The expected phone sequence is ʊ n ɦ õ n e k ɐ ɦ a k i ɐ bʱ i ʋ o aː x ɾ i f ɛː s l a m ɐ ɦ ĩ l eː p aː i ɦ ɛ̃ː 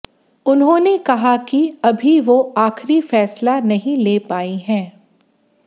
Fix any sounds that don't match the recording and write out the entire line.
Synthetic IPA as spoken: ʊ n ɦ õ n e k ɐ ɦ a k i ɐ bʱ i ʋ o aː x ɾ i f ɛː s l a n ɐ ɦ ĩ l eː p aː i ɦ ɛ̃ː